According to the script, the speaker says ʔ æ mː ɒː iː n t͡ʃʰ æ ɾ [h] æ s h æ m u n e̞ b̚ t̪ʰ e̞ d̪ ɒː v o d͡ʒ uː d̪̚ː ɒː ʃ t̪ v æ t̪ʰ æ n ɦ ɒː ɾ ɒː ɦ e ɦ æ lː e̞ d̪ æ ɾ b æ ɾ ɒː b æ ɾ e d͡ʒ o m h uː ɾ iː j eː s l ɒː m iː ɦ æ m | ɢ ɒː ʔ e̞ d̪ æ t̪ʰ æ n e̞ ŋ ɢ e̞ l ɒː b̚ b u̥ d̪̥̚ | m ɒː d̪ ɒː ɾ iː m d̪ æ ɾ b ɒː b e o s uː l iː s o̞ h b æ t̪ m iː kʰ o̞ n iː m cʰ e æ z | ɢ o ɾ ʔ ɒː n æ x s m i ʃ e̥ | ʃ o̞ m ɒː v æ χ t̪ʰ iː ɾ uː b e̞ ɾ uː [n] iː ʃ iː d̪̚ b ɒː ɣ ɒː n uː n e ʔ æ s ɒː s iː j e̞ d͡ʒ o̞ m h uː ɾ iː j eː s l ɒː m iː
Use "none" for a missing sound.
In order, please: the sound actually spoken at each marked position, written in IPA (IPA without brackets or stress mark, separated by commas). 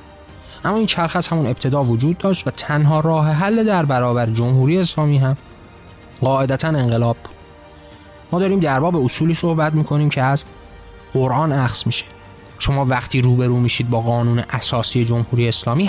x, m